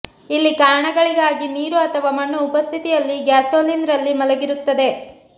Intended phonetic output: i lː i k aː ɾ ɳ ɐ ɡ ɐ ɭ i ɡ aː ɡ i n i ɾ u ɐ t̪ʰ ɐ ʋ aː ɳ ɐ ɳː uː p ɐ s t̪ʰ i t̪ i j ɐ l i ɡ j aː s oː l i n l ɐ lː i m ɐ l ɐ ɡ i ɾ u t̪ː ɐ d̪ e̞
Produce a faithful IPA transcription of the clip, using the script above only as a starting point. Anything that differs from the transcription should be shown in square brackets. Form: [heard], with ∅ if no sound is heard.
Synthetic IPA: i lː i k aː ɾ ɳ ɐ ɡ ɐ ɭ i ɡ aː ɡ i n [iː] ɾ u ɐ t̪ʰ ɐ ʋ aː [m] ɐ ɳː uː p ɐ s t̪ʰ i t̪ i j ɐ [lː] i ɡ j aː s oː l i n [ɾ] ɐ lː i m ɐ l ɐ ɡ i ɾ u t̪ː ɐ d̪ e̞